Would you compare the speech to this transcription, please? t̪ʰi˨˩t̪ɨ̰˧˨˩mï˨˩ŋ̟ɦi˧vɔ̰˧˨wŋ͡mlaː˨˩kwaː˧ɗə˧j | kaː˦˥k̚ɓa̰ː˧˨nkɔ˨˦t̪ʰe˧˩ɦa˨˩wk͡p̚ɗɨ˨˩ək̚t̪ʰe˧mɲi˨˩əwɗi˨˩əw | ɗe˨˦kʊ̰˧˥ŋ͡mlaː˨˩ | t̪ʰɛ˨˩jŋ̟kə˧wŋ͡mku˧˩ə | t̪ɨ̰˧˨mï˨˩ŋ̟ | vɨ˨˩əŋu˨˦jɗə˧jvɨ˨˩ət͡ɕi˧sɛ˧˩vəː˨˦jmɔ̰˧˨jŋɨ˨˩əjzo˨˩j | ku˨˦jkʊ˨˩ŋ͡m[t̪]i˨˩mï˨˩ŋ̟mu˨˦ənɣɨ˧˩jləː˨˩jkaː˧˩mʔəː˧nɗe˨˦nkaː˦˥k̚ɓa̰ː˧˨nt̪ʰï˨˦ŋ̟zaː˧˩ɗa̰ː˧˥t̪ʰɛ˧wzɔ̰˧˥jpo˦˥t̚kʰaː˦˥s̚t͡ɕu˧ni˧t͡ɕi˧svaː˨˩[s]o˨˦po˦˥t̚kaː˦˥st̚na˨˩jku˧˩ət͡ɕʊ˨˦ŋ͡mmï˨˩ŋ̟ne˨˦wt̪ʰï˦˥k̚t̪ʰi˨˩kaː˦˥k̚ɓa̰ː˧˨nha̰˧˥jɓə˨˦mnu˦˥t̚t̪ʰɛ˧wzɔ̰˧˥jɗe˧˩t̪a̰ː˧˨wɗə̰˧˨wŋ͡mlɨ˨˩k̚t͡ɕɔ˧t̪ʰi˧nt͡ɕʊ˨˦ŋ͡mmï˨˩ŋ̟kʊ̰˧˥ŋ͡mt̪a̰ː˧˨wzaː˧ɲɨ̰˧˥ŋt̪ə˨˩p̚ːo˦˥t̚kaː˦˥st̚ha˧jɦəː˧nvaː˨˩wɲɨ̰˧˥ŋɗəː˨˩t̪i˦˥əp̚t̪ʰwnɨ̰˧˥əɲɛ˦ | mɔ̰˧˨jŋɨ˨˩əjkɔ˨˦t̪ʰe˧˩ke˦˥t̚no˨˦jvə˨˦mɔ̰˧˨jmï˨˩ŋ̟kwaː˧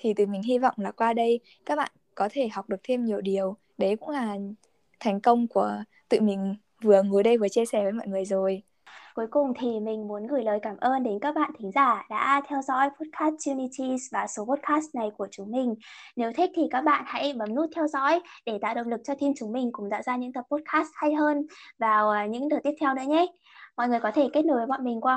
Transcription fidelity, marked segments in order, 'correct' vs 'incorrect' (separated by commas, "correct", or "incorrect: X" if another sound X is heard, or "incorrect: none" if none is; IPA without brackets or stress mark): incorrect: t̪ʰ, correct